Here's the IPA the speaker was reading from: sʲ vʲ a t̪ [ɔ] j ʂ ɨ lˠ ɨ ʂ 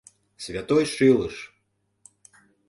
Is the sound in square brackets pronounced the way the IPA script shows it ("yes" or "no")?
yes